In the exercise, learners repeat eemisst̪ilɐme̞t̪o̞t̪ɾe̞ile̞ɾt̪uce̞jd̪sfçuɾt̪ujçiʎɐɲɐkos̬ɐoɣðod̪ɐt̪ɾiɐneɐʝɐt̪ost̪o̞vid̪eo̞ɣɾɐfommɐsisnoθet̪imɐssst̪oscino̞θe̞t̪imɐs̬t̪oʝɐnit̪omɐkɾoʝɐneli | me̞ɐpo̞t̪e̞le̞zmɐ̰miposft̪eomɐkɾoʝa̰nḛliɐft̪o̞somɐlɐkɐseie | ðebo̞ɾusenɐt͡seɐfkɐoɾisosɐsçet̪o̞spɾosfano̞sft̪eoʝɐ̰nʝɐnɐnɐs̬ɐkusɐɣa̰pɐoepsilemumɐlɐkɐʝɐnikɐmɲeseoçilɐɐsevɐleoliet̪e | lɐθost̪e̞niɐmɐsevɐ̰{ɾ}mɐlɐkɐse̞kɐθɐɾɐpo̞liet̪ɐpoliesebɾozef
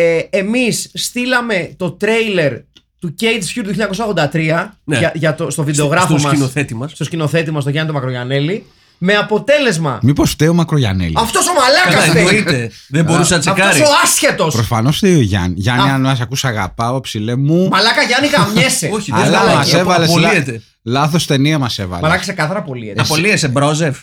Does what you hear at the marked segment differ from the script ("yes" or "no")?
yes